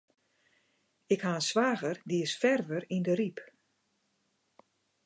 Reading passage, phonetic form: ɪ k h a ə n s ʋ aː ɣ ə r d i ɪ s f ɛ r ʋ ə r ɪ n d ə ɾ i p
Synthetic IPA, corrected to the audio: ɪ k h a ə n s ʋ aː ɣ ə r d i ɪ s f ɛ r ʋ ə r i n d ə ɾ i p